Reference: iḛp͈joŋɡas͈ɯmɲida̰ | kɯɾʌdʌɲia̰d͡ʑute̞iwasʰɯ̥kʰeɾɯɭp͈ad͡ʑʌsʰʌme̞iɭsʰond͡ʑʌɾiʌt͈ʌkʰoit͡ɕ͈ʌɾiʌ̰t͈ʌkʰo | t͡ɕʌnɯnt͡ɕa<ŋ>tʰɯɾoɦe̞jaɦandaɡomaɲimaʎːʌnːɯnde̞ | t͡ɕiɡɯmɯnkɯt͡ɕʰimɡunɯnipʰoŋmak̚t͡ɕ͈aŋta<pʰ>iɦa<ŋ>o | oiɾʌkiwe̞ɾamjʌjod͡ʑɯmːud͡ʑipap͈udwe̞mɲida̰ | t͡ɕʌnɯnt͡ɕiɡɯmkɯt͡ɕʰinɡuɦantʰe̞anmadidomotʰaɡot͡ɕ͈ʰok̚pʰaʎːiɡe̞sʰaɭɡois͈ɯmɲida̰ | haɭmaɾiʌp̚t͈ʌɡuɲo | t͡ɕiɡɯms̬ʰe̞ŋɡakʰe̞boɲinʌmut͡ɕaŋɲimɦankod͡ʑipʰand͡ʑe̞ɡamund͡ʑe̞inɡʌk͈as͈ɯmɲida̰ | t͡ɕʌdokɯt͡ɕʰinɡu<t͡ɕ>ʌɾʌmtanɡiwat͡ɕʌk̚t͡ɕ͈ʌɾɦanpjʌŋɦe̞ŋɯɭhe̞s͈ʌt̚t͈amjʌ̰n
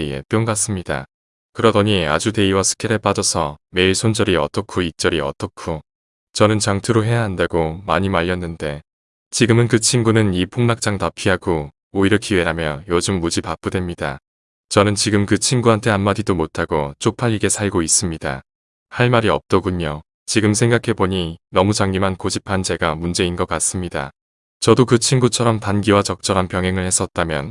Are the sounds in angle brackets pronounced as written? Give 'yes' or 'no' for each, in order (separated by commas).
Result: yes, yes, no, no